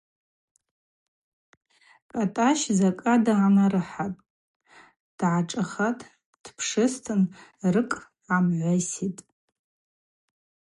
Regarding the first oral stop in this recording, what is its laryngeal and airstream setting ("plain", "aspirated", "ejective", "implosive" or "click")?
ejective